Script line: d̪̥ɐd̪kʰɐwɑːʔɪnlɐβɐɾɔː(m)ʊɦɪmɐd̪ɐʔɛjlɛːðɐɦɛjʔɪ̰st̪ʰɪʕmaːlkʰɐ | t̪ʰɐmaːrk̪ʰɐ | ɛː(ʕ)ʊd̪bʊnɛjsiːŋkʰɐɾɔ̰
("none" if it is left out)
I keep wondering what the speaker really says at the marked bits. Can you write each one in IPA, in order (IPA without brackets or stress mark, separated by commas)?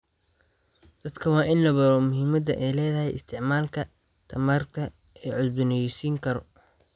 m, ʕ